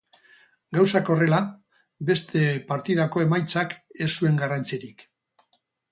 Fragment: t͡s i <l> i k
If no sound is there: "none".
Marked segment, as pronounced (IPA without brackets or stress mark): ɾ